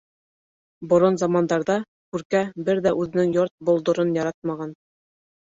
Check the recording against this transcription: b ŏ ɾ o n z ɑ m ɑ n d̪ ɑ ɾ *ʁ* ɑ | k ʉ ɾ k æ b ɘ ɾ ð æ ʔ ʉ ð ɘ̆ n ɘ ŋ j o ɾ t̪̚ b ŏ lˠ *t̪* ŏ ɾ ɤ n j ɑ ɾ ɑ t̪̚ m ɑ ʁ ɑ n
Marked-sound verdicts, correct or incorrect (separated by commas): incorrect, incorrect